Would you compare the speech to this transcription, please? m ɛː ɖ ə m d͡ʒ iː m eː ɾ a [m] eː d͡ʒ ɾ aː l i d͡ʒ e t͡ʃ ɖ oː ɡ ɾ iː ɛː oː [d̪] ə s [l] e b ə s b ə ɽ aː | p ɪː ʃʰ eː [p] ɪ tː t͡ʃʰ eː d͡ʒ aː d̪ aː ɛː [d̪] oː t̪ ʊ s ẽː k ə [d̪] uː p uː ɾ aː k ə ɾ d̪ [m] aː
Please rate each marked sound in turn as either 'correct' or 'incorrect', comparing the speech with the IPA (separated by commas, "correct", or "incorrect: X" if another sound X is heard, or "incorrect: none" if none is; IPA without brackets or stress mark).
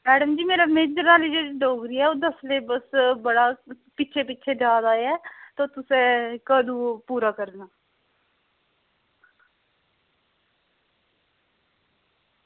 correct, correct, correct, correct, incorrect: t̪, correct, incorrect: n